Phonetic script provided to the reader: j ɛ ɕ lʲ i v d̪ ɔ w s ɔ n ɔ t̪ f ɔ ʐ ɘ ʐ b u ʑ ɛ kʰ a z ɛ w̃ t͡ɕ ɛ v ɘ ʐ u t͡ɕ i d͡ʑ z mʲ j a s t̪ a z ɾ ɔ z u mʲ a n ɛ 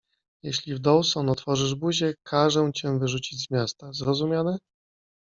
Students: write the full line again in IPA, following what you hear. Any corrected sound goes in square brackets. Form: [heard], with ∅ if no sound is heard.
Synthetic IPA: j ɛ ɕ lʲ i v d̪ ɔ w s ɔ n ɔ t̪ f ɔ ʐ ɘ ʐ b u ʑ ɛ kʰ a [ʐ] ɛ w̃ t͡ɕ ɛ v ɘ ʐ u t͡ɕ i d͡ʑ z mʲ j a s t̪ a z ɾ ɔ z u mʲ a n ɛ